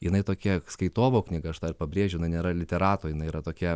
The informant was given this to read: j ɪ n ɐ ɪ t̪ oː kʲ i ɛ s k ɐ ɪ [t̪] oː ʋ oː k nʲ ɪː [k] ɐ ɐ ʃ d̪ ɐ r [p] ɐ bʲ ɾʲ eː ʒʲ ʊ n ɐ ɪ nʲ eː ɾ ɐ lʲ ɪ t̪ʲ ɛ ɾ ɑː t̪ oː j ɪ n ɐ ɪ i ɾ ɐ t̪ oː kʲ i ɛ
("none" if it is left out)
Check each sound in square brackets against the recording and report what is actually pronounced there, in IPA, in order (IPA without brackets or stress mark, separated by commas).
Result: t̪, ɡ, p